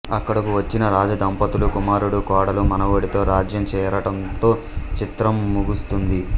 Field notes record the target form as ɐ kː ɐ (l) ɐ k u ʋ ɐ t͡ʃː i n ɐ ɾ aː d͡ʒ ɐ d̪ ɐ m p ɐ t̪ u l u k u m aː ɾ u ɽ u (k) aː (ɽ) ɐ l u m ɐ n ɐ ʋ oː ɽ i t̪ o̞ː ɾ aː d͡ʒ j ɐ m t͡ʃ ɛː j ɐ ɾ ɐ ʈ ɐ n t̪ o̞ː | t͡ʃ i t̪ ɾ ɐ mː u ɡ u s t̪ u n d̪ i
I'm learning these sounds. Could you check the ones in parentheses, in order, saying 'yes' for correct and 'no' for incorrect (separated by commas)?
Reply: no, yes, yes